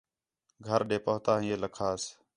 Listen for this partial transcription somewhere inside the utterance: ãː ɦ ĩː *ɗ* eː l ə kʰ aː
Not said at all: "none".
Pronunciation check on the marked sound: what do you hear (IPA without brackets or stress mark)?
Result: none